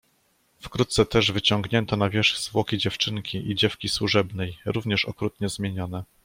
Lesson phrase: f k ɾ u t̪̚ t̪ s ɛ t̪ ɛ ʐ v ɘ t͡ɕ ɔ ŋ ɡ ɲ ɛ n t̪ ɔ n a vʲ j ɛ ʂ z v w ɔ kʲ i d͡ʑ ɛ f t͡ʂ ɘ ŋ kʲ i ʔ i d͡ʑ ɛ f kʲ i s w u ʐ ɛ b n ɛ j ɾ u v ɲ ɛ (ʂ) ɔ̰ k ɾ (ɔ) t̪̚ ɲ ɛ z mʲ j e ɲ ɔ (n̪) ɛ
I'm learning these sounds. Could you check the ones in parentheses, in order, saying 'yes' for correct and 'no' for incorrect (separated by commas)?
yes, no, yes